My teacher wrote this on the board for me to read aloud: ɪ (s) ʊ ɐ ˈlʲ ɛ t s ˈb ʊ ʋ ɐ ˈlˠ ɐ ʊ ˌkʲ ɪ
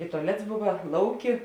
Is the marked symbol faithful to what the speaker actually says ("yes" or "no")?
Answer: no